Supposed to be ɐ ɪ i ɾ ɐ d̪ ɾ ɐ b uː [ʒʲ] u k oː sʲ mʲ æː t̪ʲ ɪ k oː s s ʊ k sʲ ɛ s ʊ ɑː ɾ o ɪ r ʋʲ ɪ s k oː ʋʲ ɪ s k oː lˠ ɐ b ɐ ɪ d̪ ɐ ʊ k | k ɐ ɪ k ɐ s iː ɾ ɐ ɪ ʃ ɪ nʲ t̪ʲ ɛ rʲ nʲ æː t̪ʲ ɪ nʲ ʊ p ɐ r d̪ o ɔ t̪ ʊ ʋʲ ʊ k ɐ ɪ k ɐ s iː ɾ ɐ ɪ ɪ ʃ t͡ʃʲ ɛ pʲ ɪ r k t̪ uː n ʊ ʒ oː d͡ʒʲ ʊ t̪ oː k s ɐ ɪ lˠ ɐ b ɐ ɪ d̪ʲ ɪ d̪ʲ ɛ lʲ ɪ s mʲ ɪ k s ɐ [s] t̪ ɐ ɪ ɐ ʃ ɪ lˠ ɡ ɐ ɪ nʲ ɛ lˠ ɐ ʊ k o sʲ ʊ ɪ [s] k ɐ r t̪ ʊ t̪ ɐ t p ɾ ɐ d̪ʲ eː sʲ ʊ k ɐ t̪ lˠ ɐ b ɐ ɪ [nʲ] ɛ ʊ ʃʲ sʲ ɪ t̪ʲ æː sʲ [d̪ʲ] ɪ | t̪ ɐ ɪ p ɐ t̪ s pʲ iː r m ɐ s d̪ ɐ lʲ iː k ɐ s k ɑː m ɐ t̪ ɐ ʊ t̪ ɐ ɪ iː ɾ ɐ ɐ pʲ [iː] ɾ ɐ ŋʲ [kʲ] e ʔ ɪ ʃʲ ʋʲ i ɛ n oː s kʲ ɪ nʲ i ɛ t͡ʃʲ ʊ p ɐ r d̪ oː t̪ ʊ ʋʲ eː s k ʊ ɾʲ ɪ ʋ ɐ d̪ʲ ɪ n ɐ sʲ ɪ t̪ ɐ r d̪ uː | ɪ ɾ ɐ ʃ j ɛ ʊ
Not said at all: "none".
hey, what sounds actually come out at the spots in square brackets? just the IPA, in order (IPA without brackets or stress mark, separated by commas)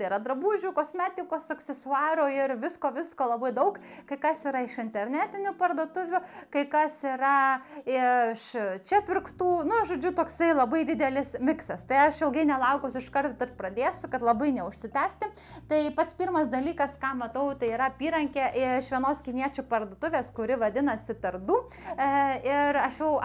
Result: ʒʲ, s, ʃ, nʲ, t̪ʲ, iː, kʲ